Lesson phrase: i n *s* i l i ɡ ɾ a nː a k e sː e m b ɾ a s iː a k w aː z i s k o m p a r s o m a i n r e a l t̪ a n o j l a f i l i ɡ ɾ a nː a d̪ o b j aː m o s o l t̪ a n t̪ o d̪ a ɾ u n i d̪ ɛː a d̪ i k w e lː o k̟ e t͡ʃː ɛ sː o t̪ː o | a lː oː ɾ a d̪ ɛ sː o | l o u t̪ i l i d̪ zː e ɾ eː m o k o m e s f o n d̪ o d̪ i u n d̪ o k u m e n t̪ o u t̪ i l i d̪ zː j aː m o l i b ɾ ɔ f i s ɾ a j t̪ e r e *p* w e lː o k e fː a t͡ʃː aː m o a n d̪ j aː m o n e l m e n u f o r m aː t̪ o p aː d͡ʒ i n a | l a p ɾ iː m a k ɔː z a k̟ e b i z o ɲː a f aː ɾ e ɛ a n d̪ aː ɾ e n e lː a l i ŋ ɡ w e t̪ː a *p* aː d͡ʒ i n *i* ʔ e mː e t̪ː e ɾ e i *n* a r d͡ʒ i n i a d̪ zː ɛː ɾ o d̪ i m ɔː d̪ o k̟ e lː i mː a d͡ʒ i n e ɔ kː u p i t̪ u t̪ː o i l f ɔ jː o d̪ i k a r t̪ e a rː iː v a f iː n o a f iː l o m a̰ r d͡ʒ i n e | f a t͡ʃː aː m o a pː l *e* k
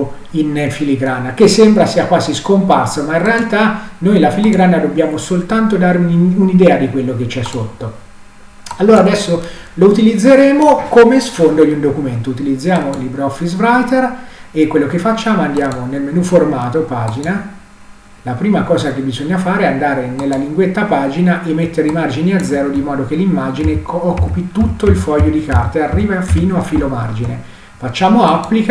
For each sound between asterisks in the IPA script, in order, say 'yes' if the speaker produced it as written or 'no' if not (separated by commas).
no, no, yes, no, no, no